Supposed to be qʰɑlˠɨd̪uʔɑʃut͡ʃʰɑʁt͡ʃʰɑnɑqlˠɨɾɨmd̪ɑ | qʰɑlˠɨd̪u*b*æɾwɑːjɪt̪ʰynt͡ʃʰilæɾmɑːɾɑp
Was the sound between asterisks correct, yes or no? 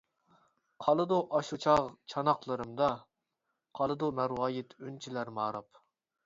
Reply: no